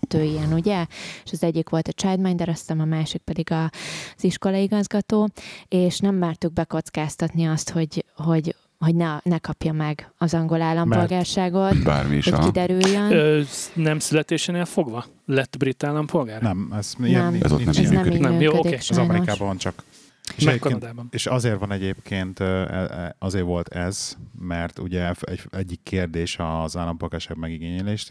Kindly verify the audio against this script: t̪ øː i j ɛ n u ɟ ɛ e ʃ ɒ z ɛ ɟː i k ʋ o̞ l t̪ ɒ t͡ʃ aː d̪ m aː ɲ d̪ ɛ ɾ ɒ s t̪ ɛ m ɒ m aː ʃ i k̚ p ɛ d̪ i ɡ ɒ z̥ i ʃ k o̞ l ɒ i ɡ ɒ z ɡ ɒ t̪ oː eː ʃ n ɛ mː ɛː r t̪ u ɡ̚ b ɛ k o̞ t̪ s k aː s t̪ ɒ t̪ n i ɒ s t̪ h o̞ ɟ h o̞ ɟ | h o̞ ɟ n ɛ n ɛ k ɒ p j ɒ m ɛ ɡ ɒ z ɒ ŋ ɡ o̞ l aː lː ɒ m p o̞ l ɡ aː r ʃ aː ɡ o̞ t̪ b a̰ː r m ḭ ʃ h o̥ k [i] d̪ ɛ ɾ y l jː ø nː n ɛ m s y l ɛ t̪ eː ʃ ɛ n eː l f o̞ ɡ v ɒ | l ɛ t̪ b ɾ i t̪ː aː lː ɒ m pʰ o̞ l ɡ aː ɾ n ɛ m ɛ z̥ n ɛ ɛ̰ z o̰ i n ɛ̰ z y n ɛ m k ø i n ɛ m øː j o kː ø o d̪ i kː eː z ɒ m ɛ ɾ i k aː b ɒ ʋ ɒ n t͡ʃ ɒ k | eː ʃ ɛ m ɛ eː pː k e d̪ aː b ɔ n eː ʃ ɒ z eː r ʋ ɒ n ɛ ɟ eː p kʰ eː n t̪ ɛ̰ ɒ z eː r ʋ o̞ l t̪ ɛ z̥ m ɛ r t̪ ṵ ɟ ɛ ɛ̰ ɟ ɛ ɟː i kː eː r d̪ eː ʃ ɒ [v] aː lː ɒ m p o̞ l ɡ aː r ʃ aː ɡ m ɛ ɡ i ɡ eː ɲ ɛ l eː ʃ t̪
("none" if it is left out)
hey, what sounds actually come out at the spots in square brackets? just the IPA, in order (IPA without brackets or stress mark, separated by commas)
i, z